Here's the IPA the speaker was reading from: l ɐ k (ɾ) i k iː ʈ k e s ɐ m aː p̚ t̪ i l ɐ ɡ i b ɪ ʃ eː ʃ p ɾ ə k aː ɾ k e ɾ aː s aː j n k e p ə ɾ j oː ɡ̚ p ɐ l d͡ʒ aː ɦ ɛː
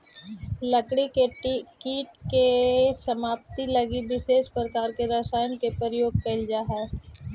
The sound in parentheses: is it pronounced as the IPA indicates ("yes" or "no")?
no